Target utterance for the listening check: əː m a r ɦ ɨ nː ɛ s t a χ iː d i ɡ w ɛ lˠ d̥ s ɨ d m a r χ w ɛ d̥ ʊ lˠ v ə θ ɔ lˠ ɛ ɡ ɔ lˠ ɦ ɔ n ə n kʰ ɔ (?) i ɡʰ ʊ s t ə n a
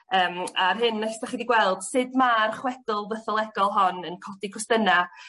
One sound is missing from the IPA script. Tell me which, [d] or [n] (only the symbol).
d